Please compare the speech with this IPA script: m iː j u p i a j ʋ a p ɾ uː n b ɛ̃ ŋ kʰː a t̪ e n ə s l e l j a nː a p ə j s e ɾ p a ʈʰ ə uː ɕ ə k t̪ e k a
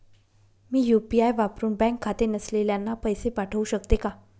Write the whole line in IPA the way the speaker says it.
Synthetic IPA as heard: m iː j u p i a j ʋ a p ɾ uː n b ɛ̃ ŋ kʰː a t̪ e n ə s l e l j a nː a p ə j s e p a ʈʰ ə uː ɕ ə k t̪ e k a